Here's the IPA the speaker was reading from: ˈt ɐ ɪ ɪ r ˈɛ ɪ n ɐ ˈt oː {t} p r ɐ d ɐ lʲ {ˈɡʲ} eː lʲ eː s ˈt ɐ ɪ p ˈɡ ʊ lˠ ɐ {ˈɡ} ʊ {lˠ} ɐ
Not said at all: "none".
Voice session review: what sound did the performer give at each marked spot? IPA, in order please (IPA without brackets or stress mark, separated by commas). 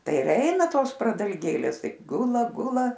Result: s, ɡʲ, ɡ, lˠ